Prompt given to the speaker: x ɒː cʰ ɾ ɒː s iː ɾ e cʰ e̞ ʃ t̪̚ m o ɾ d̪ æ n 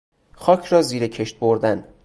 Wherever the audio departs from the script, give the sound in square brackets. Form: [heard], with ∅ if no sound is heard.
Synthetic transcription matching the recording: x ɒː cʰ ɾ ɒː [z] iː ɾ e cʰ e̞ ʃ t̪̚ [b] o ɾ d̪ æ n